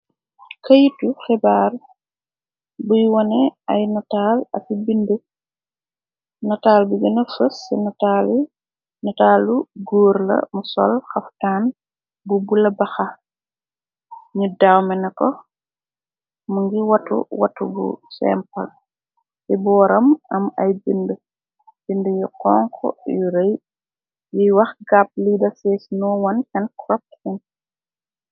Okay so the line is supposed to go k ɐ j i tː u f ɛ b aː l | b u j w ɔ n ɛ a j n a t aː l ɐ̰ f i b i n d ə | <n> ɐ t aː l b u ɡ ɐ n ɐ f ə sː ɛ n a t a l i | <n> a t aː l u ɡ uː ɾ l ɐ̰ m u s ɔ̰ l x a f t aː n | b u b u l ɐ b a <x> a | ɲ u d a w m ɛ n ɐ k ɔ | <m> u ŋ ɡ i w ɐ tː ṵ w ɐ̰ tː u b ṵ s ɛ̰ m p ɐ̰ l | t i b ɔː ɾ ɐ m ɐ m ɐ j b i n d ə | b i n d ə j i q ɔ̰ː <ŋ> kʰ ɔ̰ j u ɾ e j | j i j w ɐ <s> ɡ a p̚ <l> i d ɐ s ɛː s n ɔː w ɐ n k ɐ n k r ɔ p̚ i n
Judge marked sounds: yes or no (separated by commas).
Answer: yes, yes, yes, yes, yes, no, yes